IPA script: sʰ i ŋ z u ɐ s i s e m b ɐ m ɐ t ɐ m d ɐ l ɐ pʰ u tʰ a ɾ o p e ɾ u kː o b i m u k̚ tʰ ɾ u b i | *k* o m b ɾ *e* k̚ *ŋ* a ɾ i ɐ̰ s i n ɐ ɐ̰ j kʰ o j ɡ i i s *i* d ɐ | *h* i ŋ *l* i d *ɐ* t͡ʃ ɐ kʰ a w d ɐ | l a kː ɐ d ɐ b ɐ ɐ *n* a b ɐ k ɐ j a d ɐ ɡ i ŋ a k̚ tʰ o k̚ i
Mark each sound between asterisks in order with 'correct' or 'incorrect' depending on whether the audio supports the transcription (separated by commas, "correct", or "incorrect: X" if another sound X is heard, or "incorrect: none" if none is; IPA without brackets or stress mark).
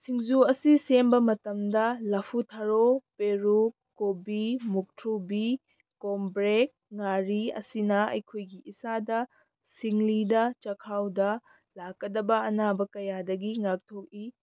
correct, correct, correct, incorrect: a, incorrect: s, correct, correct, correct